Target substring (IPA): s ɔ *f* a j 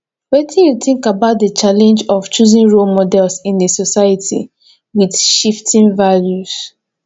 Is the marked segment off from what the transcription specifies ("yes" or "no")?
yes